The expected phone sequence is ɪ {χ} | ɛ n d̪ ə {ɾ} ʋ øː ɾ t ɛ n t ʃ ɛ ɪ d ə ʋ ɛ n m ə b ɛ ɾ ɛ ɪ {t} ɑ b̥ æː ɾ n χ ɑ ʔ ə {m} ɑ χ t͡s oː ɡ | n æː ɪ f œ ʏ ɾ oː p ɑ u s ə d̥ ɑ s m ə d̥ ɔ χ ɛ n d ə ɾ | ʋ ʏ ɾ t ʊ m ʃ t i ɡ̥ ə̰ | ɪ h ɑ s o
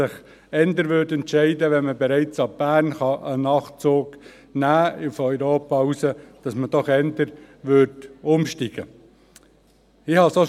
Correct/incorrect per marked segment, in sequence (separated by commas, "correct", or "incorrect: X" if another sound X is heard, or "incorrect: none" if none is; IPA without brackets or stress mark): correct, correct, incorrect: t͡s, incorrect: n